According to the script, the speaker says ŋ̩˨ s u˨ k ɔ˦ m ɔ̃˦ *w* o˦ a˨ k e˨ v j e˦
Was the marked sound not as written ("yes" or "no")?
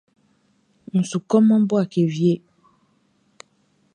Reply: yes